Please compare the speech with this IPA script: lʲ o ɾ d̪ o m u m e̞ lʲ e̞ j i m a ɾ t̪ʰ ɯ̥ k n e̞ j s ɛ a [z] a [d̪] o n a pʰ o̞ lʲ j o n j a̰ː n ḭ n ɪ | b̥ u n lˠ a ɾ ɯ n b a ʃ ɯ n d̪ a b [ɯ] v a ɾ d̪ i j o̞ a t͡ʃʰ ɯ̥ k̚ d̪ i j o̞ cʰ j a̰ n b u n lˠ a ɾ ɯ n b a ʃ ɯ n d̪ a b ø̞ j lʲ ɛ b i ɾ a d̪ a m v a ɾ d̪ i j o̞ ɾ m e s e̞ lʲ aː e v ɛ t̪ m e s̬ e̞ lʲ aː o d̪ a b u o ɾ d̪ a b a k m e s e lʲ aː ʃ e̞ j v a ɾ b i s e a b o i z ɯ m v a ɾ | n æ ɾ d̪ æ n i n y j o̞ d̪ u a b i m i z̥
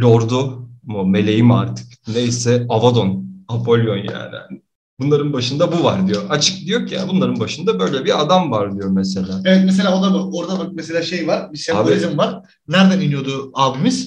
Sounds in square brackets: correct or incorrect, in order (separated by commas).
incorrect, correct, incorrect